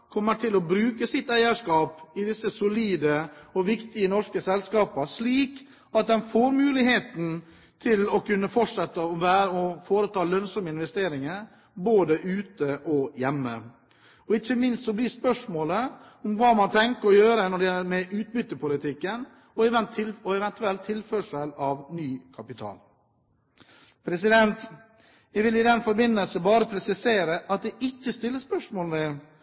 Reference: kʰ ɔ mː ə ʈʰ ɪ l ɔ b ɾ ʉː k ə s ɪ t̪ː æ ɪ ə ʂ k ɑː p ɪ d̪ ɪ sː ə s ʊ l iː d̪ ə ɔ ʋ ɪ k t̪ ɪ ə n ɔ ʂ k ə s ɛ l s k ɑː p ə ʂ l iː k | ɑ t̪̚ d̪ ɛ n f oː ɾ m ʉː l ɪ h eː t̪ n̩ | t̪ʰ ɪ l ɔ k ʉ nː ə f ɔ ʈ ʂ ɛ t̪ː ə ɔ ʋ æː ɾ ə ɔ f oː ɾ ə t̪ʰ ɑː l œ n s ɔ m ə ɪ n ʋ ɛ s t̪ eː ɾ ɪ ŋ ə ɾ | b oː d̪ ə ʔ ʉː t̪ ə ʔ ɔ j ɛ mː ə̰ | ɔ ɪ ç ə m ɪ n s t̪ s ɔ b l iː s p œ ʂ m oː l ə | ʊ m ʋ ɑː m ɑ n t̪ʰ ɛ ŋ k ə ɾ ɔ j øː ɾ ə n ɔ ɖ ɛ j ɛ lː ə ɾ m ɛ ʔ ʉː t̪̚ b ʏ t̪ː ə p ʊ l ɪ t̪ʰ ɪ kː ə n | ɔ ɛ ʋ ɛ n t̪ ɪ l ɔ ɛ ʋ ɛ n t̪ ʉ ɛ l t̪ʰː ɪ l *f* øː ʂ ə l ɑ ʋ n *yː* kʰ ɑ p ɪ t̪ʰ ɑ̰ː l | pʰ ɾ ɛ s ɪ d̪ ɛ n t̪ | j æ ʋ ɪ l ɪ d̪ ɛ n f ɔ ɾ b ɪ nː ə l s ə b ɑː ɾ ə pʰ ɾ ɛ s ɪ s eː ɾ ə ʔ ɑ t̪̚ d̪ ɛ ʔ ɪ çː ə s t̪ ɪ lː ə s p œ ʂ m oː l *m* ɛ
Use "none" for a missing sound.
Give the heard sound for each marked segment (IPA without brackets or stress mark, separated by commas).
f, yː, m